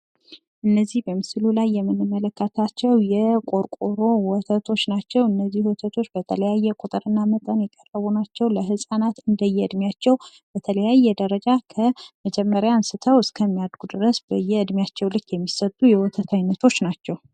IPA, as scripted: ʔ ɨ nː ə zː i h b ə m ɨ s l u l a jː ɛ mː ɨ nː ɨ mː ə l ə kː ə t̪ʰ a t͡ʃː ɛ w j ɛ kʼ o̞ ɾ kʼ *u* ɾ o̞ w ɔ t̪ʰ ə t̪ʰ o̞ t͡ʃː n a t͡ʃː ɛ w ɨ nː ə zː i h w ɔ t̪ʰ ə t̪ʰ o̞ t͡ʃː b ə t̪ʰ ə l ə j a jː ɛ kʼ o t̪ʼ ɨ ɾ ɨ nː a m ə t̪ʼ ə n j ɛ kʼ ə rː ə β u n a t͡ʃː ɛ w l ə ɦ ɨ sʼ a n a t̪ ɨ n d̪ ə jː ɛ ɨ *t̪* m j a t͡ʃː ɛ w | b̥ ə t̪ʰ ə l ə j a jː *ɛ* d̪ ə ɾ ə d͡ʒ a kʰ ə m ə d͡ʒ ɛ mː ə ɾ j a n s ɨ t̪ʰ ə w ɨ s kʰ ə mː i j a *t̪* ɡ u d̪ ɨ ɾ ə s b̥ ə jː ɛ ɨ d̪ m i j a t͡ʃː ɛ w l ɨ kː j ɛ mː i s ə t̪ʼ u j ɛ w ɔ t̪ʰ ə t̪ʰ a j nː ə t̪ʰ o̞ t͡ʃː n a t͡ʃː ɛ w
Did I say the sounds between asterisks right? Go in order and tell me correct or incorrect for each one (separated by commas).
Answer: incorrect, incorrect, correct, incorrect